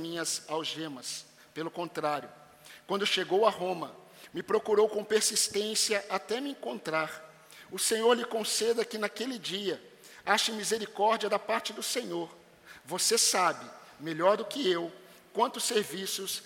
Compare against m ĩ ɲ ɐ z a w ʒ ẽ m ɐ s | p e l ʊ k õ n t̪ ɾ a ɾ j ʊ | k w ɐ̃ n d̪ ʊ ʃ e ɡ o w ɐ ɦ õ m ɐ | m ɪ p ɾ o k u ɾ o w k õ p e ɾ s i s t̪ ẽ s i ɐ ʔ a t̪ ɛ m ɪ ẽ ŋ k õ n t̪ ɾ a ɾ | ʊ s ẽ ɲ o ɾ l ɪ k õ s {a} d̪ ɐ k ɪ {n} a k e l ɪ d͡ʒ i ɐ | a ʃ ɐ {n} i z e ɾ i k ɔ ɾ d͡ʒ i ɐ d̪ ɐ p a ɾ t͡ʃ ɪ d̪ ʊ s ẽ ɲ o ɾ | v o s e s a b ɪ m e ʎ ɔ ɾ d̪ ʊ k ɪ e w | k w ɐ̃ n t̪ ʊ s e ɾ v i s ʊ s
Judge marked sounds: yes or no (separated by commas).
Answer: no, yes, no